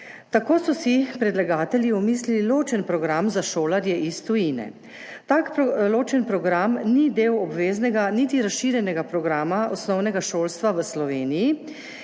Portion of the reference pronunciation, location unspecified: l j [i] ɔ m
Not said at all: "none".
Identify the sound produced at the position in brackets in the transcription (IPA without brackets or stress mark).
i